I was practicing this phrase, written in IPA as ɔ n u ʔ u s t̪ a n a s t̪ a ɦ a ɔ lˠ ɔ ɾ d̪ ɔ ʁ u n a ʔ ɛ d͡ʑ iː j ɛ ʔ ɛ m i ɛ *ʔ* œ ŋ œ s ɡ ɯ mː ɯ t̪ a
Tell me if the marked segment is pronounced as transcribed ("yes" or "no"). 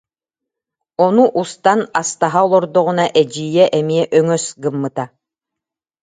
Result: yes